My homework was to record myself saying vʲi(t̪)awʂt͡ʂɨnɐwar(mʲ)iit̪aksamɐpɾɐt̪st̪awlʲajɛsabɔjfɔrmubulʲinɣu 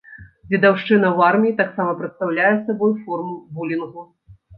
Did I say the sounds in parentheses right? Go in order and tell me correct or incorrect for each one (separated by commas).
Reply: incorrect, correct